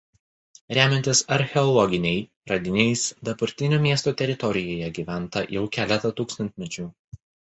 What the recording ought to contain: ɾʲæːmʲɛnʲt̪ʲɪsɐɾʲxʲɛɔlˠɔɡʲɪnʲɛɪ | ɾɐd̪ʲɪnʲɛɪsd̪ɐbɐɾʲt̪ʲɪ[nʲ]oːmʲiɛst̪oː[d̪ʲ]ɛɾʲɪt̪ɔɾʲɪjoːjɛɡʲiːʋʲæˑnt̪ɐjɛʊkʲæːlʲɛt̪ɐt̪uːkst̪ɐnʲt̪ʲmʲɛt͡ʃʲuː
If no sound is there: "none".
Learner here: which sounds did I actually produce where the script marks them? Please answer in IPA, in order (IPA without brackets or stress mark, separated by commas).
nʲ, t̪ʲ